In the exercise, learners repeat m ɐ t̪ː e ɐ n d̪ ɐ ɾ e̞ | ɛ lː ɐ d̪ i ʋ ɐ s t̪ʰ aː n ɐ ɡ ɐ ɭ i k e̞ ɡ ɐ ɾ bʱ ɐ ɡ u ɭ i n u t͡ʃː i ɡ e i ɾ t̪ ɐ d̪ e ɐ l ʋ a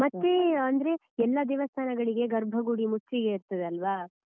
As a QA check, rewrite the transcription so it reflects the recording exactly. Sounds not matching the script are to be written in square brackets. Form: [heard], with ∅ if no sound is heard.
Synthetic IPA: m ɐ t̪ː e ɐ n d̪ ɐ ɾ e̞ | ɛ lː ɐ d̪ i ʋ ɐ s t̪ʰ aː n ɐ ɡ ɐ ɭ i [ɡ] e̞ ɡ ɐ ɾ bʱ ɐ ɡ u [ɽ] i [m] u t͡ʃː i ɡ e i ɾ t̪ ɐ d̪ e ɐ l ʋ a